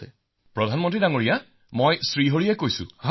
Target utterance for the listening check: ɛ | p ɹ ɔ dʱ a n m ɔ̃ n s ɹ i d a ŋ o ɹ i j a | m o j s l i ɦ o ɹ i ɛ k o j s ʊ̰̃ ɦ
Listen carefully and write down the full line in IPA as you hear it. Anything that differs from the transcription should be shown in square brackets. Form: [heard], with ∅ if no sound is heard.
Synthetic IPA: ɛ | p ɹ ɔ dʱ a n m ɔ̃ n [t] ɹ i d a ŋ o ɹ i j a | m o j s [ɹ] i ɦ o ɹ i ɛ k o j s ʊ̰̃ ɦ